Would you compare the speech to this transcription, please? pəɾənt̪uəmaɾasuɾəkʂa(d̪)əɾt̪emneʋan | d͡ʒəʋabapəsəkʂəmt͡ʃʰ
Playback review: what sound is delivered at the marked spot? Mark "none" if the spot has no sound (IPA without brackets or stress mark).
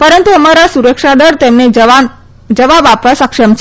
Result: d̪